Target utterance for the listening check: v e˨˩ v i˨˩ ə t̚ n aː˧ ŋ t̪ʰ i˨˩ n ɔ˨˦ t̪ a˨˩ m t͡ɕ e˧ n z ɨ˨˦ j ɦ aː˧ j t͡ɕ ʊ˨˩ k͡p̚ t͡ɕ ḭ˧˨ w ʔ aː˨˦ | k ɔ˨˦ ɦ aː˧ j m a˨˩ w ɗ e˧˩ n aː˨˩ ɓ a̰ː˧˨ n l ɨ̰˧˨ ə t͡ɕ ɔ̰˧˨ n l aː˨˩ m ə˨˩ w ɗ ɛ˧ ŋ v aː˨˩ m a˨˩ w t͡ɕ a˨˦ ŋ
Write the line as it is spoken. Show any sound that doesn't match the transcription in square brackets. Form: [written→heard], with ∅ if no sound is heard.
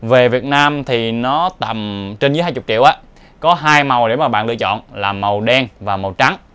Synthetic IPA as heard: v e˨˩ v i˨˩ ə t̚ n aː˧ [ŋ→m] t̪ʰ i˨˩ n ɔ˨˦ t̪ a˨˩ m t͡ɕ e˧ n z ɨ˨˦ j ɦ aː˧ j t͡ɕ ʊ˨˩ k͡p̚ t͡ɕ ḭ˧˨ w ʔ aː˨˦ | k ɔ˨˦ ɦ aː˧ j m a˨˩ w ɗ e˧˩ [n→m] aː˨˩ ɓ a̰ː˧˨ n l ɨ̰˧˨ ə t͡ɕ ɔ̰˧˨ n l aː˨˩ m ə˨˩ w ɗ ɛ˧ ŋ v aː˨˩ m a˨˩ w t͡ɕ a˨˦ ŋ